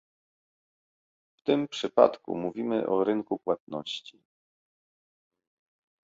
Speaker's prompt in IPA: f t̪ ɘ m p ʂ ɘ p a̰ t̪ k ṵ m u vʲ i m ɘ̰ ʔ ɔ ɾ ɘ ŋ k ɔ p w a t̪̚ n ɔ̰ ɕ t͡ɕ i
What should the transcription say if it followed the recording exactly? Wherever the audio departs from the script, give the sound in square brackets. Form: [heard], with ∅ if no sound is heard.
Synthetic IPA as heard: f t̪ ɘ m p ʂ ɘ p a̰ t̪ k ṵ m u vʲ i m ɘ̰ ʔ ɔ ɾ ɘ ŋ k [u] p w a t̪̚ n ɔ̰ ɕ t͡ɕ i